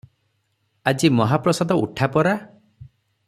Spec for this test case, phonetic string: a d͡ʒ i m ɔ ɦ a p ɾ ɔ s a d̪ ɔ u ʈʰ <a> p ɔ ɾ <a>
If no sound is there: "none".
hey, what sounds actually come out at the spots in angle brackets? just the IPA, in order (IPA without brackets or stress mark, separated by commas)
a, a